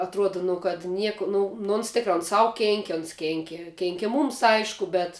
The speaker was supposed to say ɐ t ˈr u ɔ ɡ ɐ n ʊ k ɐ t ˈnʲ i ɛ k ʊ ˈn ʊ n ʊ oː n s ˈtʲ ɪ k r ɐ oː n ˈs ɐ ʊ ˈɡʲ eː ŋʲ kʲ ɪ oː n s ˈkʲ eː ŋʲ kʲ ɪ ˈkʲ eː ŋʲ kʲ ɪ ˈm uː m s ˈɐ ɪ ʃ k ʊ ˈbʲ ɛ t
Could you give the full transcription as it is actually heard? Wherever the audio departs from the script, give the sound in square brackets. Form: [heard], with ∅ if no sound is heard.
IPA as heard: ɐ t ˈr u ɔ [d] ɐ n ʊ k ɐ t ˈnʲ i ɛ k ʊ ˈn ʊ n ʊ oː n s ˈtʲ ɪ k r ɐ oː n ˈs ɐ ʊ [ˈkʲ] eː ŋʲ kʲ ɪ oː n s ˈkʲ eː ŋʲ kʲ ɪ ˈkʲ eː ŋʲ kʲ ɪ ˈm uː m s ˈɐ ɪ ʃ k ʊ ˈbʲ ɛ t